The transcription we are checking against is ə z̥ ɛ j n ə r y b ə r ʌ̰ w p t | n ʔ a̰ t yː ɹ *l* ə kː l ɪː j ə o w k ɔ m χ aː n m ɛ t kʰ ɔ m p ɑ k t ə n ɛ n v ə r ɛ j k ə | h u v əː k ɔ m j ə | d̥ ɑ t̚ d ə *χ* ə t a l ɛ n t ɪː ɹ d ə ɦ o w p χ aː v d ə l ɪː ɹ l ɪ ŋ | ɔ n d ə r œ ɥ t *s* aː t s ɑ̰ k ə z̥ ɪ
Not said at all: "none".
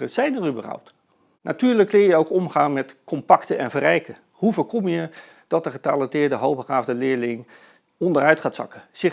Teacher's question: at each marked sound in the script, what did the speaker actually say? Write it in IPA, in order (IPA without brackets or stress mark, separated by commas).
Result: l, χ, χ